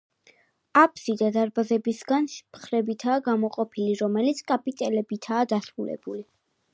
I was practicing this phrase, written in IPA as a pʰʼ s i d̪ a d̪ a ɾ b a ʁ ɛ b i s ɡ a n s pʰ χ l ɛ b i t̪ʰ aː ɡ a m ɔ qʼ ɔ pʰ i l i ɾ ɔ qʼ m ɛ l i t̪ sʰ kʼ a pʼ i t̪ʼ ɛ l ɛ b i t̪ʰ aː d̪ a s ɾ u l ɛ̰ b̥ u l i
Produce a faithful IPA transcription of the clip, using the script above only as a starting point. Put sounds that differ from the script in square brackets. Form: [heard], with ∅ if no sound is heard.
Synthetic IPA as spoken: a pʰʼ s i d̪ a d̪ a ɾ b a [z] ɛ b i s ɡ a n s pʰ χ [ɾ] ɛ b i t̪ʰ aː ɡ a m ɔ qʼ ɔ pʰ i l i ɾ ɔ [∅] m ɛ l i t̪ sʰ kʼ a pʼ i t̪ʼ ɛ l ɛ b i t̪ʰ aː d̪ a s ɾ u l ɛ̰ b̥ u l i

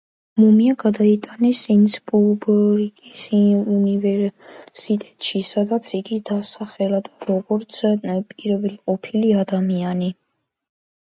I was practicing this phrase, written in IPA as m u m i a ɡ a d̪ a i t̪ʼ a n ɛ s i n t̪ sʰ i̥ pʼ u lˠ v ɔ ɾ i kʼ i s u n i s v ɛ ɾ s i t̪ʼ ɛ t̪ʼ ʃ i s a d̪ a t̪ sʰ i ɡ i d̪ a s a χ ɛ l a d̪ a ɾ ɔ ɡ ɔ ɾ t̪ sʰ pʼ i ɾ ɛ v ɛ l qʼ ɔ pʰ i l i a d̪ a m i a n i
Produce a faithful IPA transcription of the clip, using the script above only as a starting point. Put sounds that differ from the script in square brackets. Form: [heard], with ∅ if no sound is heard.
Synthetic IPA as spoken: m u m i a ɡ a d̪ a i t̪ʼ a n ɛ s i n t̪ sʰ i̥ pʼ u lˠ [b] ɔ ɾ i kʼ i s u n i [∅] v ɛ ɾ s i t̪ʼ ɛ t̪ʼ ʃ i s a d̪ a t̪ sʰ i ɡ i d̪ a s a χ ɛ l a d̪ a ɾ ɔ ɡ ɔ ɾ t̪ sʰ pʼ i ɾ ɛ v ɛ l qʼ ɔ pʰ i l i a d̪ a m i a n i

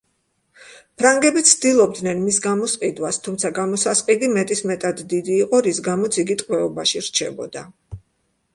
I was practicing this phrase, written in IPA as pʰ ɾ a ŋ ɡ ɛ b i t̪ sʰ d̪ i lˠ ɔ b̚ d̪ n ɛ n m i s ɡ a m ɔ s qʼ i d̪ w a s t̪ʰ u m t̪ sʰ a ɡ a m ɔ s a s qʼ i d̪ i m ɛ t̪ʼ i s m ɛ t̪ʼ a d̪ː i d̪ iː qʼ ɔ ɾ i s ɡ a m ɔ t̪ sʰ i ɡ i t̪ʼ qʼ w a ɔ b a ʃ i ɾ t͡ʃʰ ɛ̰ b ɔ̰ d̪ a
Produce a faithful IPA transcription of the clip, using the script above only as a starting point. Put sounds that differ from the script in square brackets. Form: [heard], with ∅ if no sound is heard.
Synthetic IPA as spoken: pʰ ɾ a ŋ ɡ ɛ b i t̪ sʰ d̪ i lˠ ɔ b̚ d̪ n ɛ n m i s ɡ a m ɔ s qʼ i d̪ w a s t̪ʰ u m t̪ sʰ a ɡ a m ɔ s a s qʼ i d̪ i m ɛ t̪ʼ i s m ɛ t̪ʼ a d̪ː i d̪ iː qʼ ɔ ɾ i s ɡ a m ɔ t̪ sʰ i ɡ i t̪ʼ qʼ w [ɛ] ɔ b a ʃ i ɾ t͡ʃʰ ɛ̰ b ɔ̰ d̪ a

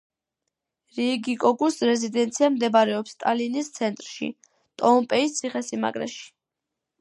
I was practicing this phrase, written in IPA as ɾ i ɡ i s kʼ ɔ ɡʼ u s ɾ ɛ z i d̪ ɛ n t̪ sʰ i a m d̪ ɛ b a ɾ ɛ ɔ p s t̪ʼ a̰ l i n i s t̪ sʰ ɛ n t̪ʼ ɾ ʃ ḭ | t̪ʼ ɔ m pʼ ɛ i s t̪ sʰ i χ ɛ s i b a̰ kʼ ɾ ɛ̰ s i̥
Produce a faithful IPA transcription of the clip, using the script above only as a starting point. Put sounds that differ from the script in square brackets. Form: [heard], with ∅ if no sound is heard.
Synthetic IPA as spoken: ɾ i ɡ i [∅] kʼ ɔ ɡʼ u s ɾ ɛ z i d̪ ɛ n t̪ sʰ i a m d̪ ɛ b a ɾ ɛ ɔ p s t̪ʼ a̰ l i n i s t̪ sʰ ɛ n t̪ʼ ɾ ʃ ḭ | t̪ʼ ɔ m pʼ ɛ i s t̪ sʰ i χ ɛ s i [m] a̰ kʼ ɾ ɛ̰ [ʃ] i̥

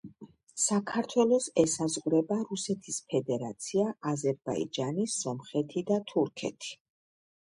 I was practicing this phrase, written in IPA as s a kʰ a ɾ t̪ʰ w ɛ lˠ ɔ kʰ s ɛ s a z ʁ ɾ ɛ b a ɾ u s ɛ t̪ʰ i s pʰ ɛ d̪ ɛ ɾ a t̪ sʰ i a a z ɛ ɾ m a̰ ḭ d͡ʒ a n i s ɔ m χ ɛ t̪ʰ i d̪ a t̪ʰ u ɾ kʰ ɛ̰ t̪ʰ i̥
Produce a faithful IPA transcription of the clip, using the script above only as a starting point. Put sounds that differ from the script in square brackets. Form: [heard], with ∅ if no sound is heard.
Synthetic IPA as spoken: s a kʰ a ɾ t̪ʰ w ɛ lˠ ɔ [∅] s ɛ s a z ʁ ɾ ɛ b a ɾ u s ɛ t̪ʰ i s pʰ ɛ d̪ ɛ ɾ a t̪ sʰ i a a z ɛ ɾ [b] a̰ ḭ d͡ʒ a n i s ɔ m χ ɛ t̪ʰ i d̪ a t̪ʰ u ɾ kʰ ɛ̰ t̪ʰ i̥

